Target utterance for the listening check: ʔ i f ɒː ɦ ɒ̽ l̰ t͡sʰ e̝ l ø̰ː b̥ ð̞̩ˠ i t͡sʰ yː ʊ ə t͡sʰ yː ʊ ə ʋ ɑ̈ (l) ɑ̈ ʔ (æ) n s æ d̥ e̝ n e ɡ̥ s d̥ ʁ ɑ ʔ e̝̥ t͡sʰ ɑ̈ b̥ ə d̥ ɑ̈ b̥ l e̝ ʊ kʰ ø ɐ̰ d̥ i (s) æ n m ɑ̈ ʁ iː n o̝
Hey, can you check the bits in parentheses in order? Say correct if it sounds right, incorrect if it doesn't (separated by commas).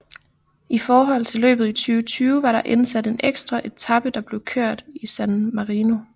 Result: incorrect, incorrect, correct